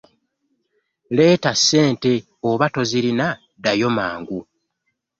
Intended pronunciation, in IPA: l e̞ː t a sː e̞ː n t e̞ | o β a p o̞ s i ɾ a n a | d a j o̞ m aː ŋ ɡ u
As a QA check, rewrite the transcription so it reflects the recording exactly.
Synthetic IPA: l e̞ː t a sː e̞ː n t e̞ | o β a t o̞ z i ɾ i n a | d a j o̞ m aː ŋ ɡ u